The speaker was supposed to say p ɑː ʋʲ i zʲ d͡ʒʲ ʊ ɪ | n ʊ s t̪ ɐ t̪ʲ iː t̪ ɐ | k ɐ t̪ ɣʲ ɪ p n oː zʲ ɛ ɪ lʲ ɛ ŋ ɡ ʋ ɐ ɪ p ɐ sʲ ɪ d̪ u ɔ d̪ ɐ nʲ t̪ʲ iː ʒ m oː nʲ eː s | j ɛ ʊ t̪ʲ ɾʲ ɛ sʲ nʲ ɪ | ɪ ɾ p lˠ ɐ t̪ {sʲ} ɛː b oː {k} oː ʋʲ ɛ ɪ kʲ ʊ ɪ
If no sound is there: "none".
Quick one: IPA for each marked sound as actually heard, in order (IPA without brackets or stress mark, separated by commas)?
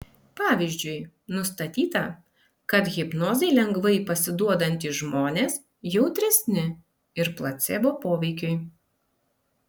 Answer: sʲ, p